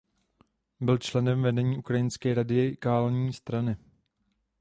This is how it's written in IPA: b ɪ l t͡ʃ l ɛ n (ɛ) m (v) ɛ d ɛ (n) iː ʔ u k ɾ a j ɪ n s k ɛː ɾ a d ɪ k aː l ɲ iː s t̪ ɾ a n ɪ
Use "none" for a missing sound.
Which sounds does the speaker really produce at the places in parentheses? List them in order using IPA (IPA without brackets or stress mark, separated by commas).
ɛ, v, ɲ